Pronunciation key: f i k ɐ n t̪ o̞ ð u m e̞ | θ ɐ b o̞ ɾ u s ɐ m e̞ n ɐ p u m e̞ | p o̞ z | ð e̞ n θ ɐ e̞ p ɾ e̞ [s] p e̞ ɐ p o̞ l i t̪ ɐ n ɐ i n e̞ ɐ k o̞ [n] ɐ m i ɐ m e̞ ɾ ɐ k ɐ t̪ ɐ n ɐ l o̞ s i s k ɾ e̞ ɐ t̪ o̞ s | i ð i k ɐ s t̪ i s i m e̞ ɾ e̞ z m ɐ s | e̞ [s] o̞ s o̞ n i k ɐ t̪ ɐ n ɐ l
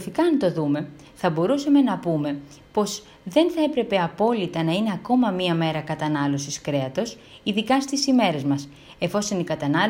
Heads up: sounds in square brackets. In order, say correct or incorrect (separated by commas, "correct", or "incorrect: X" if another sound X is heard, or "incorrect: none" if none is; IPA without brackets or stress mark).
incorrect: none, incorrect: m, incorrect: f